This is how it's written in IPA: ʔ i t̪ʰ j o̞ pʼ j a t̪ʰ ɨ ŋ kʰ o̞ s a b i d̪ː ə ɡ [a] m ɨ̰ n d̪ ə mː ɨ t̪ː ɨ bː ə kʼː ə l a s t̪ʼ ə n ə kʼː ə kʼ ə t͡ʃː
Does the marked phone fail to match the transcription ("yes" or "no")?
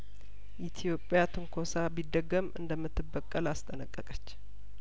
yes